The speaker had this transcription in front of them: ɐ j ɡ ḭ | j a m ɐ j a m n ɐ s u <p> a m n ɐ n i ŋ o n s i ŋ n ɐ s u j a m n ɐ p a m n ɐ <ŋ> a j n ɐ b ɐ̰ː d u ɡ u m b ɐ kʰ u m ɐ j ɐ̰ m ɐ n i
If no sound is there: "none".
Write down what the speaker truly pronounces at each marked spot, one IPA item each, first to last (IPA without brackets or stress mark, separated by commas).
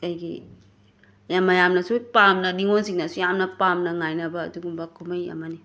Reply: p, ŋ